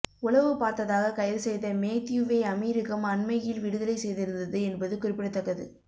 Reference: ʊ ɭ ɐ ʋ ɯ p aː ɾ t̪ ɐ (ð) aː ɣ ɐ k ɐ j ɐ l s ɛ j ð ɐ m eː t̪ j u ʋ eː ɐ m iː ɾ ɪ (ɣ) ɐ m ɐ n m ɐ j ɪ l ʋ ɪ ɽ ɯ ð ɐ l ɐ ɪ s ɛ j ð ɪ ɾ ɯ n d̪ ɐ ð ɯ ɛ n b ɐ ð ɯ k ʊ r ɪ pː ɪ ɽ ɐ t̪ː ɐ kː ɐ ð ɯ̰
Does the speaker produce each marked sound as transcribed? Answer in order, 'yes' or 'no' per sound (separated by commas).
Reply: yes, yes